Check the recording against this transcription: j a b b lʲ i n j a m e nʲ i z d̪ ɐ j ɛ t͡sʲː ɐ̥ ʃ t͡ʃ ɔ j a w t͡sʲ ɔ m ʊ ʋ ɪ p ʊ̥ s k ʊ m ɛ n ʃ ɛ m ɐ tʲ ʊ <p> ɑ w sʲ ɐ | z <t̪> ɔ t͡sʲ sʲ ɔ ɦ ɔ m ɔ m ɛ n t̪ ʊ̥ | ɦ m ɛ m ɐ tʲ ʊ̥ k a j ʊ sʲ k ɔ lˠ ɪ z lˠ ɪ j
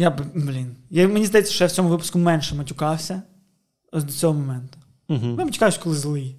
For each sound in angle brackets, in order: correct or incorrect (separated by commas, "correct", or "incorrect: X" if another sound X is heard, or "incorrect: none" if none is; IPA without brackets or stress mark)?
incorrect: k, incorrect: d̪